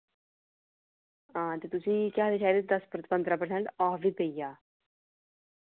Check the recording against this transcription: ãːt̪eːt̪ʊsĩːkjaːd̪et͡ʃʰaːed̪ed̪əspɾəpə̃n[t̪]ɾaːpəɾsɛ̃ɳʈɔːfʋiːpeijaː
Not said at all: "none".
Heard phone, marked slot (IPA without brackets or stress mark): d̪